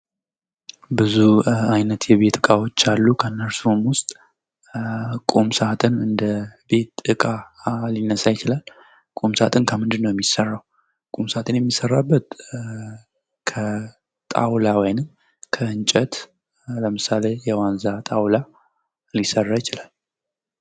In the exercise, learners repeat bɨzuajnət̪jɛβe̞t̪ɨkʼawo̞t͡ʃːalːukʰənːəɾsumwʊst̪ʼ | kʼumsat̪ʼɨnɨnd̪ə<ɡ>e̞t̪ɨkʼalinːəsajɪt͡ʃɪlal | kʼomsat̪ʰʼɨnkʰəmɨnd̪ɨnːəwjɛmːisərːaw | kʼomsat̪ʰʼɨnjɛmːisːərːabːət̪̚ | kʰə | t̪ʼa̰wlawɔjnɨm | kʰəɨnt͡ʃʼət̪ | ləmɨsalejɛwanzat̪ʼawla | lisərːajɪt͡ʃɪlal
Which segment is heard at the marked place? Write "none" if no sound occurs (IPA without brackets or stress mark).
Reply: b